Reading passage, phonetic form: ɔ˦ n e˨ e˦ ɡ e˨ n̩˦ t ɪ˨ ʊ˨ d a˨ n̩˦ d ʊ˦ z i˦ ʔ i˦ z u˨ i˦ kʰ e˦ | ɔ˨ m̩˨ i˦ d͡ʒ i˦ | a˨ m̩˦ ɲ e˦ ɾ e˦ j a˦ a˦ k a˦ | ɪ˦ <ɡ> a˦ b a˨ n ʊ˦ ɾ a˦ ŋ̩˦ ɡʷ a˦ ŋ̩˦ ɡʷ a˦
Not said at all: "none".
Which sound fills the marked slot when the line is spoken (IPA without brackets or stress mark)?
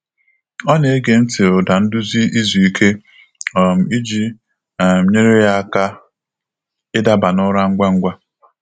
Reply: d